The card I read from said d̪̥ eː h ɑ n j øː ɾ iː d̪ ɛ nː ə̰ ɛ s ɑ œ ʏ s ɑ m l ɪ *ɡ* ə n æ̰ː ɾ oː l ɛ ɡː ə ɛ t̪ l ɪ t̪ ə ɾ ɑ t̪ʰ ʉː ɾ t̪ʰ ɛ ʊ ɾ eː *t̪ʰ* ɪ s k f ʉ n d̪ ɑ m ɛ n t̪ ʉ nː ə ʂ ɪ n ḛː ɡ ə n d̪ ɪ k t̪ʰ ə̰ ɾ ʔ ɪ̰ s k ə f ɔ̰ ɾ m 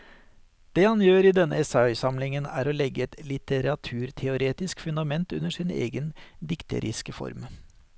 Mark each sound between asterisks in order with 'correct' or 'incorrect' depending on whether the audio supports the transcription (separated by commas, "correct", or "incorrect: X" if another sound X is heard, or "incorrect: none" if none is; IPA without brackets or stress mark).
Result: incorrect: ŋ, incorrect: t̪